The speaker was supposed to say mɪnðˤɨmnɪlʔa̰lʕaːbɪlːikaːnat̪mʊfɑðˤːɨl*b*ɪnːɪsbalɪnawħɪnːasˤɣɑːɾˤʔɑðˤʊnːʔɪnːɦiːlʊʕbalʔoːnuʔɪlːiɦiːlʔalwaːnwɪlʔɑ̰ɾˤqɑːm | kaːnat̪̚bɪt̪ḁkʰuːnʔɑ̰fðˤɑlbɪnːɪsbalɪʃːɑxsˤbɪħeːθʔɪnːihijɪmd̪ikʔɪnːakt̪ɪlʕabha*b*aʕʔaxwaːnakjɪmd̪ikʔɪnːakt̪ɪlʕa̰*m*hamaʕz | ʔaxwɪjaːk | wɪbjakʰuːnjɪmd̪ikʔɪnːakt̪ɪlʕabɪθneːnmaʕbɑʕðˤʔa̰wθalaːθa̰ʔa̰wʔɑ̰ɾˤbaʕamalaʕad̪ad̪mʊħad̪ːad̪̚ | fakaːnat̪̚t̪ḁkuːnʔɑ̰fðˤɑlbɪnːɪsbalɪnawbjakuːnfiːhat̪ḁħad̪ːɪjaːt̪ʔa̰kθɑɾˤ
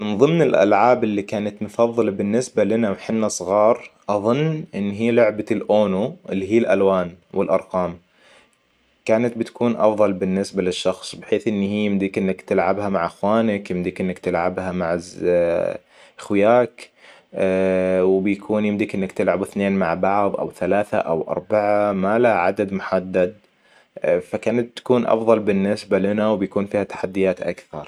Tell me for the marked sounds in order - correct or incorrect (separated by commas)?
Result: correct, incorrect, incorrect